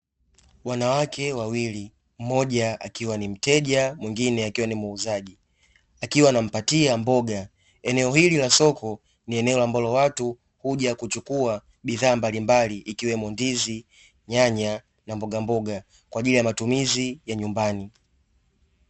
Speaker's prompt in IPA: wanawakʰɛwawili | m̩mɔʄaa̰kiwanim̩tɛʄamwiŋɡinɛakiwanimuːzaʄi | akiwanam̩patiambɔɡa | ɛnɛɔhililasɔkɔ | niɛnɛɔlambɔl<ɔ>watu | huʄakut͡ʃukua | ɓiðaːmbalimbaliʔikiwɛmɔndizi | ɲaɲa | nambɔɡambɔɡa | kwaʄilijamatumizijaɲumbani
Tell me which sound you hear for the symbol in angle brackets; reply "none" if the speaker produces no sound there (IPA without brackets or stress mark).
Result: ɔ